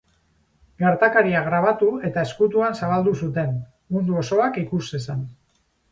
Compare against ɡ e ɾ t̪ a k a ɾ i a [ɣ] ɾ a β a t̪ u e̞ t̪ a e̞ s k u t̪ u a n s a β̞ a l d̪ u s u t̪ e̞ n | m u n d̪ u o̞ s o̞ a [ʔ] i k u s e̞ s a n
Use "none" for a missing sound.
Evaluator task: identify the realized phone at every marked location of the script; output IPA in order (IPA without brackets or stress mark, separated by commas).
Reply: ɣ, k